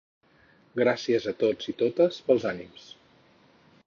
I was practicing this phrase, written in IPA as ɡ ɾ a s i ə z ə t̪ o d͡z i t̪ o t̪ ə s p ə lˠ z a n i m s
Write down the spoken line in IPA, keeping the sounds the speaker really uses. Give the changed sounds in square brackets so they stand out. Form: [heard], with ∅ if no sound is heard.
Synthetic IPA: ɡ ɾ a s i ə z ə t̪ o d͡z i t̪ o t̪ ə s p ə lˠ z a n i m s